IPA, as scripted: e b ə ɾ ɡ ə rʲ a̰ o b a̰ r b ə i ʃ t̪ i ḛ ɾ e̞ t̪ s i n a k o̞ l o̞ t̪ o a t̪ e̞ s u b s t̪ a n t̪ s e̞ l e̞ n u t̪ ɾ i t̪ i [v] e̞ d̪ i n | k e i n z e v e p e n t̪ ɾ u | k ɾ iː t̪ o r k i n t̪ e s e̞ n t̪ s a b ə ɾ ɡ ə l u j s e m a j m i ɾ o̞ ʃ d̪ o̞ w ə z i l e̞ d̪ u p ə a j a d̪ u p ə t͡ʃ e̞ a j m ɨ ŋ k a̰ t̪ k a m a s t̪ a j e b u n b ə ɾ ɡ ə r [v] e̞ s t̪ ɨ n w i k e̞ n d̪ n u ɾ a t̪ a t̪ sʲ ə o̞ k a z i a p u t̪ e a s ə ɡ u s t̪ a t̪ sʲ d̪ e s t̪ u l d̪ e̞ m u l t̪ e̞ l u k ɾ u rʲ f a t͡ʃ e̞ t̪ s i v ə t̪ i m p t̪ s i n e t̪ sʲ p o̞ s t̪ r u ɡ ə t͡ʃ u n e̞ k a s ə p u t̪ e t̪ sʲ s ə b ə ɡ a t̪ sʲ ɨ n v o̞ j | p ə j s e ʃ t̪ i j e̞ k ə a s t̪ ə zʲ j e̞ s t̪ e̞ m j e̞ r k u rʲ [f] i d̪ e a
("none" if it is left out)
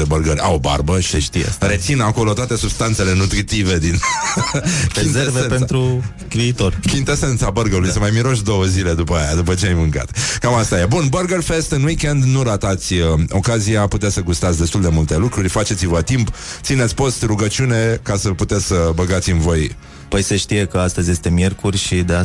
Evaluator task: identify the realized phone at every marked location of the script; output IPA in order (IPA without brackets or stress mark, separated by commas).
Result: v, f, ʃ